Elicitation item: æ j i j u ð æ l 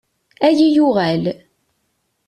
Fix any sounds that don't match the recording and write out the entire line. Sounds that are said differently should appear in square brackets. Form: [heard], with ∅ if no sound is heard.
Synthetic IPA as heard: æ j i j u [ʁ] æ l